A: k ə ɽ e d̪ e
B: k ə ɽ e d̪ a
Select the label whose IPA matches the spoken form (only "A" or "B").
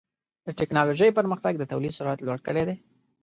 A